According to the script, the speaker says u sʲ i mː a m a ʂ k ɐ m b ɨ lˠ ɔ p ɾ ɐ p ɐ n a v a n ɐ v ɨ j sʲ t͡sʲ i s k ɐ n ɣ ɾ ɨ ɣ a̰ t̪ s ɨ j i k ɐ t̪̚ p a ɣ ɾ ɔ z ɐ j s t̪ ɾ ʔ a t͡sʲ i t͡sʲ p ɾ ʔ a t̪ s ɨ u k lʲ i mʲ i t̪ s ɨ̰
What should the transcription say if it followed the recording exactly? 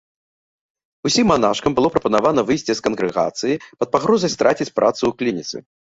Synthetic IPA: u sʲ i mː a n a ʂ k ɐ m b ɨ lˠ ɔ p ɾ ɐ p ɐ n a v a n ɐ v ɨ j sʲ t͡sʲ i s k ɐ n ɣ ɾ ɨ ɣ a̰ t̪ s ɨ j i p ɐ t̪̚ p a ɣ ɾ ɔ z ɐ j s t̪ ɾ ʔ a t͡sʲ i t͡sʲ p ɾ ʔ a t̪ s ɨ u k lʲ i nʲ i t̪ s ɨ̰